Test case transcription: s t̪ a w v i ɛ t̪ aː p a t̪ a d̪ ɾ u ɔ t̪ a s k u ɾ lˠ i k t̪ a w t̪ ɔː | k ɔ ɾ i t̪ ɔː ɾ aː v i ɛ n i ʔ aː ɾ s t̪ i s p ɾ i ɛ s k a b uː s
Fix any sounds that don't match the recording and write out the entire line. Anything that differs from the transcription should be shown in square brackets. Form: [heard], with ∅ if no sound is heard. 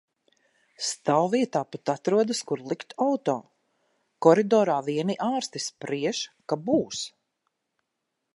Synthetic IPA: s t̪ a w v i ɛ t̪ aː p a t̪ a [t̪] ɾ u ɔ [d̪] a s k u ɾ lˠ i k t̪ a w t̪ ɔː | k ɔ ɾ i [d̪] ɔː ɾ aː v i ɛ n i ʔ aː ɾ s t̪ i s p ɾ i ɛ [ʃ] k a b uː s